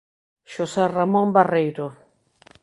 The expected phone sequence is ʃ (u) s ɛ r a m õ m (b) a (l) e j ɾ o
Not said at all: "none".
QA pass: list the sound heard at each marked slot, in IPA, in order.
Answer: o, b, r

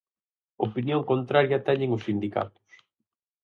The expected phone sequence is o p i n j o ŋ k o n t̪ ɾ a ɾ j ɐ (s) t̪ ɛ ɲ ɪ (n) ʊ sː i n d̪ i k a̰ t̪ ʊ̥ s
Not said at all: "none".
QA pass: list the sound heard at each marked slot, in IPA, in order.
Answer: none, ŋ

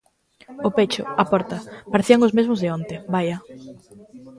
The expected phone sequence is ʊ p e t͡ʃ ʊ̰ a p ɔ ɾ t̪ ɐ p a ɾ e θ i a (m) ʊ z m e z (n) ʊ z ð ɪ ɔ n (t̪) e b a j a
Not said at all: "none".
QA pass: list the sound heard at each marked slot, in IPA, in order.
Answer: ŋ, m, t̪

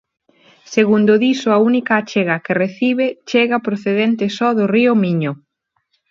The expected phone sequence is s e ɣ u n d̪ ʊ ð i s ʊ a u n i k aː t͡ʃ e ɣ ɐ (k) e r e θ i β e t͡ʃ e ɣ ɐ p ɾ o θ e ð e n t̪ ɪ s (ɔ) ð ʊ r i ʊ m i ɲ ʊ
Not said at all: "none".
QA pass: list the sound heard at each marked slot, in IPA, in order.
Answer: k, ɔ

